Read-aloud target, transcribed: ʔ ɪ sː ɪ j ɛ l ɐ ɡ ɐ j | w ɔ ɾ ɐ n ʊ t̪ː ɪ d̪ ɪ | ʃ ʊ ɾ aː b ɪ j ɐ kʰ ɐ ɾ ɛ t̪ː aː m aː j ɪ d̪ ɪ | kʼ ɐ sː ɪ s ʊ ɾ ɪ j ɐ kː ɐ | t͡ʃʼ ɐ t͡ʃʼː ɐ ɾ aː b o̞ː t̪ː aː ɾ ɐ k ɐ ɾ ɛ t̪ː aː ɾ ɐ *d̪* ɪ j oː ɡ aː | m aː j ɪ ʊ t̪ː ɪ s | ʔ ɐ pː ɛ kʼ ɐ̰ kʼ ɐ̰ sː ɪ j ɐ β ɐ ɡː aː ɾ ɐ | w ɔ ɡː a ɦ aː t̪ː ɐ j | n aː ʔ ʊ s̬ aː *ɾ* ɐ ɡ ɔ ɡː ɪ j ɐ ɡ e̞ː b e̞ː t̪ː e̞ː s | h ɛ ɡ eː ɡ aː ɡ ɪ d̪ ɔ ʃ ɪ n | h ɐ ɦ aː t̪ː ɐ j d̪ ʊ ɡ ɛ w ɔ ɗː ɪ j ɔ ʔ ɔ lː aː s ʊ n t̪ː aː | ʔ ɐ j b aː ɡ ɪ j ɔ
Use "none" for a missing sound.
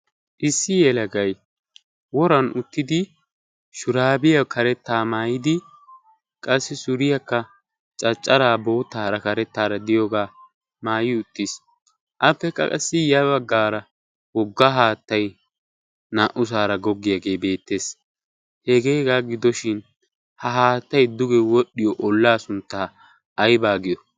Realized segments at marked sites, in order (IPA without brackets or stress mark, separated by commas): d̪, ɾ